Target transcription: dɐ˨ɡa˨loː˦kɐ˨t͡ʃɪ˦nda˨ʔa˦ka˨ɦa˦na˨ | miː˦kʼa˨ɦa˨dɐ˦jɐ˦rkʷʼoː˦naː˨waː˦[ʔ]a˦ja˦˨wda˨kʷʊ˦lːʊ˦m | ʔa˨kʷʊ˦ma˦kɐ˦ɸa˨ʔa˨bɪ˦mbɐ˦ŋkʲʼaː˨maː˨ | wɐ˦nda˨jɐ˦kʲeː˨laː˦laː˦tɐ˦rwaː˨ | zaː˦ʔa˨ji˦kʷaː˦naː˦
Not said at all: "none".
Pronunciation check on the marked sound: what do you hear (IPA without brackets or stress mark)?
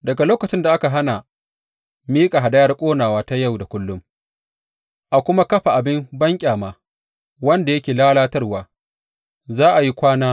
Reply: t